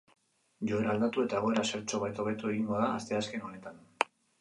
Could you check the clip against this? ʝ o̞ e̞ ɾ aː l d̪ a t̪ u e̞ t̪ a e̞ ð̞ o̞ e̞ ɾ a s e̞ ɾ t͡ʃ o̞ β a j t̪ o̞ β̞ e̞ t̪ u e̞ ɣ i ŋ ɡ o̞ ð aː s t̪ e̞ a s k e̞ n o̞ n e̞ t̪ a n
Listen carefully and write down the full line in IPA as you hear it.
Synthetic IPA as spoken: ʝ o̞ e̞ ɾ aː l d̪ a t̪ u e̞ t̪ a e̞ ɣ̞ o̞ e̞ ɾ a s e̞ ɾ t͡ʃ o̞ β a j t̪ o̞ β̞ e̞ t̪ u e̞ ɣ i ŋ ɡ o̞ ð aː s t̪ e̞ a s k e̞ n o̞ n e̞ t̪ a n